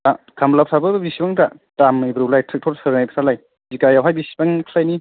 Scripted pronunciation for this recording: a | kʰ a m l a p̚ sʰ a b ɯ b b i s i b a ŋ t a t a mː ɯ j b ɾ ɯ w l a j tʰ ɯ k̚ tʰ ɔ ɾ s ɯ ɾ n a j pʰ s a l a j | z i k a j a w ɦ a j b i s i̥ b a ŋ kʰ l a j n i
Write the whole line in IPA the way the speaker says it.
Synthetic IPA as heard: a | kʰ a m l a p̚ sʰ a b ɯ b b i s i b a ŋ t a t a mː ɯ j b ɾ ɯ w l a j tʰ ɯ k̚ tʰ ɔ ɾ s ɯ ɾ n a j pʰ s a l a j | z i k a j a w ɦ a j b i s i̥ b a ŋ kʰ l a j n i